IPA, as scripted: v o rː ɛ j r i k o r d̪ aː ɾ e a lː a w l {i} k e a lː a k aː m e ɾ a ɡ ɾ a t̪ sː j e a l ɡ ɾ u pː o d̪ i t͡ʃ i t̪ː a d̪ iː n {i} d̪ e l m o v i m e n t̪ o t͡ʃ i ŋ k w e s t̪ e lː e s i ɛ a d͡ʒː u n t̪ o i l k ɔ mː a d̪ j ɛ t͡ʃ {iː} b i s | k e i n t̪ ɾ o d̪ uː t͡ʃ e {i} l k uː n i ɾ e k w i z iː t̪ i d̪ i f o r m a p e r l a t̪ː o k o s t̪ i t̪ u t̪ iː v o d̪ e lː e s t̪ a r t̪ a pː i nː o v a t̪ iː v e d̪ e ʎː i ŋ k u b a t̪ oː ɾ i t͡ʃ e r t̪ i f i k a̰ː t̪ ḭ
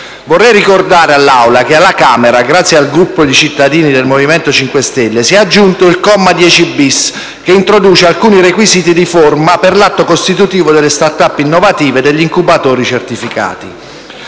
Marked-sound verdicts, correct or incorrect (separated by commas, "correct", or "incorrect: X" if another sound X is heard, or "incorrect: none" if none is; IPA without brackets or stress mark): incorrect: a, correct, incorrect: i, incorrect: a